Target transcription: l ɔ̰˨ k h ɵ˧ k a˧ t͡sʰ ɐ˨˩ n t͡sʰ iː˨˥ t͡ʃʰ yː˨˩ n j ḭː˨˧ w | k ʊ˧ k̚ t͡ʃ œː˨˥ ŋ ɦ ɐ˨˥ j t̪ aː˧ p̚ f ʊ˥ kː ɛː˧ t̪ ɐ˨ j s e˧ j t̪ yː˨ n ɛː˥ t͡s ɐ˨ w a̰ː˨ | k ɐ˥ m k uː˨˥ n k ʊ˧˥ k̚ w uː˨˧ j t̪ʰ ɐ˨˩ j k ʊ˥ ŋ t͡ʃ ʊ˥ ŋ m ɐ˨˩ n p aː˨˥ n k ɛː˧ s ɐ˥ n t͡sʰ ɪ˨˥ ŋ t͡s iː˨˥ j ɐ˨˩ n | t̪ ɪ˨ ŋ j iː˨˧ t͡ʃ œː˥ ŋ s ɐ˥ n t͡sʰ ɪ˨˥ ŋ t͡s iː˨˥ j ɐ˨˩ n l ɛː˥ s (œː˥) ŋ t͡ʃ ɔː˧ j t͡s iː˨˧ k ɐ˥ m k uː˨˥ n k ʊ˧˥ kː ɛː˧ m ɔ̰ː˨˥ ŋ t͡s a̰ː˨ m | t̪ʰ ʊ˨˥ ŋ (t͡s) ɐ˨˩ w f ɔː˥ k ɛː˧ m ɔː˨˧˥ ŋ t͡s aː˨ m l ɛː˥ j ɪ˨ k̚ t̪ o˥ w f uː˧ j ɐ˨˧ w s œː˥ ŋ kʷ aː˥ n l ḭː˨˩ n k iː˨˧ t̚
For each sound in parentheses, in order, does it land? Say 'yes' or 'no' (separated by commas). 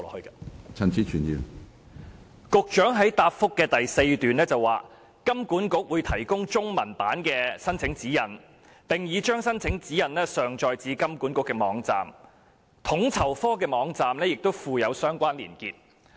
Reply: no, no